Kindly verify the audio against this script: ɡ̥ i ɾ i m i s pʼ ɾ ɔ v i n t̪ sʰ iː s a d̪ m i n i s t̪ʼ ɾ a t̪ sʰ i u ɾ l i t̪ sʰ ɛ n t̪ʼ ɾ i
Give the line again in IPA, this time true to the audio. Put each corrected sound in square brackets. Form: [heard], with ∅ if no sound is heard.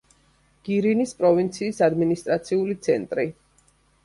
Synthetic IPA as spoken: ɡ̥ i ɾ i [n] i s pʼ ɾ ɔ v i n t̪ sʰ iː s a d̪ m i n i s t̪ʼ ɾ a t̪ sʰ i u [∅] l i t̪ sʰ ɛ n t̪ʼ ɾ i